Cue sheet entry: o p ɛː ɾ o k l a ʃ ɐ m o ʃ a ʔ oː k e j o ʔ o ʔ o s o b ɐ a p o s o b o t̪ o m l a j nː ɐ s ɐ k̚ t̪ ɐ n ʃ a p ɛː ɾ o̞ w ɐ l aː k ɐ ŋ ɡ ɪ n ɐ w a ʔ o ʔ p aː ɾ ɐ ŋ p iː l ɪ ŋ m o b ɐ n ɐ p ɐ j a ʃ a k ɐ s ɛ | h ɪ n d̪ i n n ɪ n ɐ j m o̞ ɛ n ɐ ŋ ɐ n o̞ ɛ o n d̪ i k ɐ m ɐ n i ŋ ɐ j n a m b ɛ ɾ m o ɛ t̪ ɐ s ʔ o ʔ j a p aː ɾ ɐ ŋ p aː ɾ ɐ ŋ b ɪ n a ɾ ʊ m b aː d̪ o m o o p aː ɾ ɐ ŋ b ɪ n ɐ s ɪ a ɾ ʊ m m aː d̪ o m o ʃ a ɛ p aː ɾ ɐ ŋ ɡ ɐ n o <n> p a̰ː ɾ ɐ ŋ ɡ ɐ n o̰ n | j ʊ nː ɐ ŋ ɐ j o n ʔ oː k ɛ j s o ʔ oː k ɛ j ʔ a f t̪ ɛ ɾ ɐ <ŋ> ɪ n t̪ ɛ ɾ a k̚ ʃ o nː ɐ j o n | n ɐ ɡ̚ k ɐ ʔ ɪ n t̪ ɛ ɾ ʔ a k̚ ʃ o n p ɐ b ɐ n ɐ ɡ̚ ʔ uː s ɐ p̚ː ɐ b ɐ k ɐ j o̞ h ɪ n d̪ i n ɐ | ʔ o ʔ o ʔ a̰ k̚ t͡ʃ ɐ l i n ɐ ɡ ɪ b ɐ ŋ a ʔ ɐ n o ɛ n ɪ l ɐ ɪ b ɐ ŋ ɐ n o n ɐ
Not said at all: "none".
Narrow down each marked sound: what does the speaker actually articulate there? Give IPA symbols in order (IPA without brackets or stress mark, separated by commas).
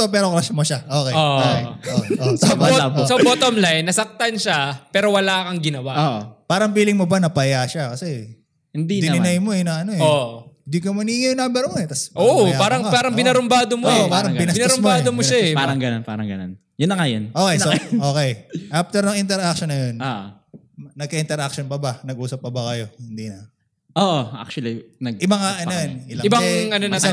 n, ŋ